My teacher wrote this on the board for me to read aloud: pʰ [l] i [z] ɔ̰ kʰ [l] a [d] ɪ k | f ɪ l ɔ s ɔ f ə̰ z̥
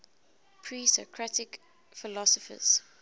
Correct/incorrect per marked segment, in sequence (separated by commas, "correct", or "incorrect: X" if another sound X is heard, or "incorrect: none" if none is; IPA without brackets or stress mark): incorrect: ɹ, incorrect: s, incorrect: ɹ, incorrect: t